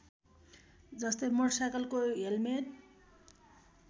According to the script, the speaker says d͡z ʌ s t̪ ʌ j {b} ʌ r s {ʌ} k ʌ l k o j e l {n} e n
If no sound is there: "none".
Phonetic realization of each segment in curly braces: m, a, m

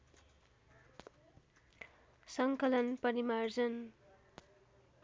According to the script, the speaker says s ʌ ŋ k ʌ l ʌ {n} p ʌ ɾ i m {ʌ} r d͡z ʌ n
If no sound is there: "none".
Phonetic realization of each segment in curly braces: n, a

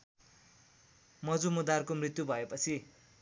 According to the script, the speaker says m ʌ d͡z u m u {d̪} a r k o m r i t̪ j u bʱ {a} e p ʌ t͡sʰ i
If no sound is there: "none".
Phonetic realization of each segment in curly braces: d̪, ʌ

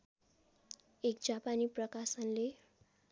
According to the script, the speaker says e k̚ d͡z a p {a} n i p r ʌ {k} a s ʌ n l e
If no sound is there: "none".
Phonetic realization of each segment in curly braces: a, k

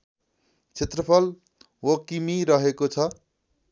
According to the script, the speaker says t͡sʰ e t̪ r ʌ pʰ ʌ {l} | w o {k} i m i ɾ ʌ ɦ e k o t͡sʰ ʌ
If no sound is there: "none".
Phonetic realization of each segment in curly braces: l, k

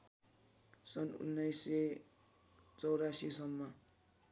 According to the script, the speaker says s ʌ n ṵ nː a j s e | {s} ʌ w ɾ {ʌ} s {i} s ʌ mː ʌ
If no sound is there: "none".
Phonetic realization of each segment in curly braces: t͡s, a, i

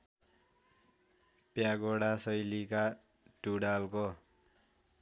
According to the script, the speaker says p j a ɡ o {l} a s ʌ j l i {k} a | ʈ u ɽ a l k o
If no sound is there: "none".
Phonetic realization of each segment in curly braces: ɽ, k

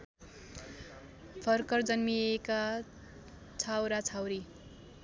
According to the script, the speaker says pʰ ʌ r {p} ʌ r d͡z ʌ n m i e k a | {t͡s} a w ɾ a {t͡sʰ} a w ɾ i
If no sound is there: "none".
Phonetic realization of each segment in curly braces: k, t͡sʰ, t͡sʰ

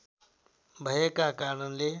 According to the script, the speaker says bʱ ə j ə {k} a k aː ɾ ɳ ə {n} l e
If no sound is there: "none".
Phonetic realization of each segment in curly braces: k, n

